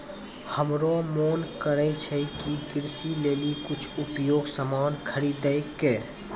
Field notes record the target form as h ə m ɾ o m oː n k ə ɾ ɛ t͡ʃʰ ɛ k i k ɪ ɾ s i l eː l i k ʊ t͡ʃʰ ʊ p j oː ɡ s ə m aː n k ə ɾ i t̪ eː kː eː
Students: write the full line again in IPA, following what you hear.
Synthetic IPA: h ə m ɾ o m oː n k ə ɾ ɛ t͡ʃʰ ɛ k i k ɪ ɾ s i l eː l i k ʊ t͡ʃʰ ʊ p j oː ɡ s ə m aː n kʰ ə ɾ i d̪ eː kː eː